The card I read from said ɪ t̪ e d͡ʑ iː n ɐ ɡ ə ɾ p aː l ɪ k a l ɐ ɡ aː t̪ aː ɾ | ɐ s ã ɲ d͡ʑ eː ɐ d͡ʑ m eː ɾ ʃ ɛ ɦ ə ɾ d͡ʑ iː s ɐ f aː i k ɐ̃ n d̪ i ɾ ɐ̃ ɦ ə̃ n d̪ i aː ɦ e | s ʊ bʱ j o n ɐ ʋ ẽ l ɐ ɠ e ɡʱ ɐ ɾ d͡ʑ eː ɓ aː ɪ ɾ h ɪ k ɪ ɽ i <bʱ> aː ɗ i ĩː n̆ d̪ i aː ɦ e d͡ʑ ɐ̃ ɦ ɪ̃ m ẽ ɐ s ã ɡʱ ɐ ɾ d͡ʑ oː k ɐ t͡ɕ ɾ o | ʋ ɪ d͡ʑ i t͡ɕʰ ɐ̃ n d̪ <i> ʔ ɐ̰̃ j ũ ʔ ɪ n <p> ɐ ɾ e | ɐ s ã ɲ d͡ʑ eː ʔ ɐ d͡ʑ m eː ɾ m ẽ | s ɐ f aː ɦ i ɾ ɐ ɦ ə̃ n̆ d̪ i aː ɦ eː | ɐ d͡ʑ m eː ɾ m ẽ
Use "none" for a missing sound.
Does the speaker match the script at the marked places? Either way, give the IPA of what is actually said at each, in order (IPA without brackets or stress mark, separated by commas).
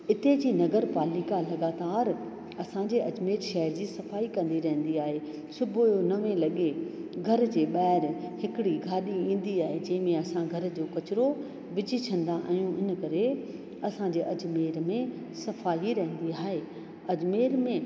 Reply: ɡʱ, a, k